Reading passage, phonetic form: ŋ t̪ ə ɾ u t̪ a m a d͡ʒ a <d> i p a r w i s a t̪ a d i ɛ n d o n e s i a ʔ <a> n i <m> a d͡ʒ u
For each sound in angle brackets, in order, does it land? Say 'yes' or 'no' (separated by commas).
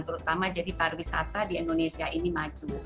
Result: yes, no, yes